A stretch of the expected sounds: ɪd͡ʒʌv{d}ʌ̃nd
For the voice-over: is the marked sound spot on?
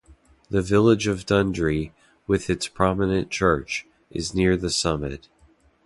yes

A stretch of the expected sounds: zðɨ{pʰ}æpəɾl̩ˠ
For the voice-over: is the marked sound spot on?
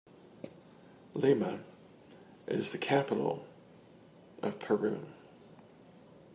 no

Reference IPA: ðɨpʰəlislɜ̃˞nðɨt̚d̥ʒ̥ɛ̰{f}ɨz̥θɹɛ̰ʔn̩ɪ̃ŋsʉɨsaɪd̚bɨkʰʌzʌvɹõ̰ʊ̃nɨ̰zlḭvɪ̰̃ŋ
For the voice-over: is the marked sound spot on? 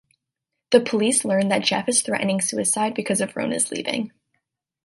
yes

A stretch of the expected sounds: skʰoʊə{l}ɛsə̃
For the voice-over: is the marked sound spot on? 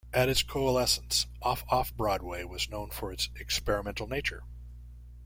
yes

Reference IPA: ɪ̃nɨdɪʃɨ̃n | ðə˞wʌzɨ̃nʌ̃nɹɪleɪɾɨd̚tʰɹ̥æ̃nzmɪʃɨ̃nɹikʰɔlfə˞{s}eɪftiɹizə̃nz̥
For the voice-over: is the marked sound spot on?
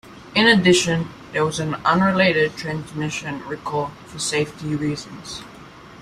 yes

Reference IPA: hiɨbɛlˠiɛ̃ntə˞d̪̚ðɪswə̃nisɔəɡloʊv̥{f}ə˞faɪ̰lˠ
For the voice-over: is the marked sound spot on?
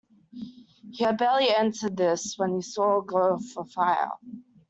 yes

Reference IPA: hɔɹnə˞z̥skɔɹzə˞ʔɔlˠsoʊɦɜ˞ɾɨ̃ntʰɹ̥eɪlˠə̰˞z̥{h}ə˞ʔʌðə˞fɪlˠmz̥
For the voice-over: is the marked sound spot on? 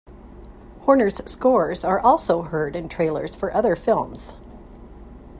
no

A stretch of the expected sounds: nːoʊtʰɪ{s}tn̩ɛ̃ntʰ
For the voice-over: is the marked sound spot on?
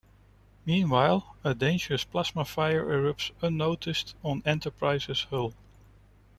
yes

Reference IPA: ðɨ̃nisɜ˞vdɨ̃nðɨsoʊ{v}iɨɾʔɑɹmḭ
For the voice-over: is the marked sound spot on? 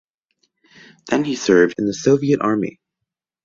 yes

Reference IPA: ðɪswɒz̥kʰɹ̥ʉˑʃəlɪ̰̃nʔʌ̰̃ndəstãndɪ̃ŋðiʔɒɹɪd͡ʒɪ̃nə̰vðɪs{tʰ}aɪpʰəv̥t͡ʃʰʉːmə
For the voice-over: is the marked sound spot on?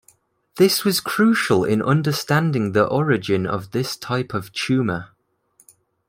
yes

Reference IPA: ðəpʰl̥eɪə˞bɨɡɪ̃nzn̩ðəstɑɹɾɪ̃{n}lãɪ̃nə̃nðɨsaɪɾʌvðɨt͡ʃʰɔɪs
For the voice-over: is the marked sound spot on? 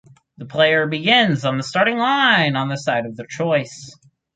no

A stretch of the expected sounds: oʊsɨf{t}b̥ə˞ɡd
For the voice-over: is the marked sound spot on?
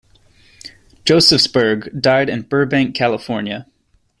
no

